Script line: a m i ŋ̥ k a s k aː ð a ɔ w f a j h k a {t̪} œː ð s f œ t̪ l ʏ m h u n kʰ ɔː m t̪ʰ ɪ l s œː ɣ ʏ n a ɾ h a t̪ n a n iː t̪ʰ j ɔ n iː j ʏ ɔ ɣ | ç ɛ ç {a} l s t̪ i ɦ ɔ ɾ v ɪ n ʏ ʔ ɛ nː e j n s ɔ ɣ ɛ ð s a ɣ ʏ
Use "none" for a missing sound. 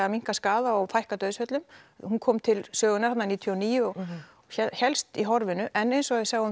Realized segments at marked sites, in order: t̪, ɛ

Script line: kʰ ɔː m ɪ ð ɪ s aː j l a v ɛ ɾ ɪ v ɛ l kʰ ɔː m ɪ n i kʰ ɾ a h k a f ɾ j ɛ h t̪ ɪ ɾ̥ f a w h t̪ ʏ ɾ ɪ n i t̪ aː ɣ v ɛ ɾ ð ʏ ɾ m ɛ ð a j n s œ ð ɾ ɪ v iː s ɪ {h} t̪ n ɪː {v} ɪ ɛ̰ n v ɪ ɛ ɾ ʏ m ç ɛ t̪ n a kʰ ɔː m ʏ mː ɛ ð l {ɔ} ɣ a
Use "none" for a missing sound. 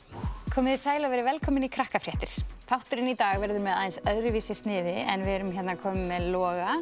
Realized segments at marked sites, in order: s, ð, ɔː

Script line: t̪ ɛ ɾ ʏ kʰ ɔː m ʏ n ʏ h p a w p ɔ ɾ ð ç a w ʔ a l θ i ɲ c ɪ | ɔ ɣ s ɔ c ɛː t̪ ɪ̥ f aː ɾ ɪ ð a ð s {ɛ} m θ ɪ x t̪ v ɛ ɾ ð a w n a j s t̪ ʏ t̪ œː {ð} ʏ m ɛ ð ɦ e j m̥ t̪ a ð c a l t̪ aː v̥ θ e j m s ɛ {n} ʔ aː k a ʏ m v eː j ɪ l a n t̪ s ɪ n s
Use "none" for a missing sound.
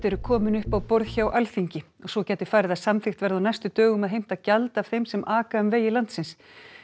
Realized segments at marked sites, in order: a, ɣ, m

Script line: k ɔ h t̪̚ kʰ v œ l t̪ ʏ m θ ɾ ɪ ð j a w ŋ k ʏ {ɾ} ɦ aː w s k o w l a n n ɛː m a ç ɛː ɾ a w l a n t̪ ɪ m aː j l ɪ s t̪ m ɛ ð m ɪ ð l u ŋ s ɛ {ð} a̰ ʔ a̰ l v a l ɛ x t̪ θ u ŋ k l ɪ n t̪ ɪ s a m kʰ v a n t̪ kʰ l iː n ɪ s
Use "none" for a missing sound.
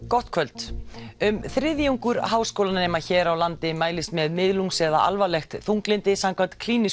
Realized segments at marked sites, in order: ɾ, ð

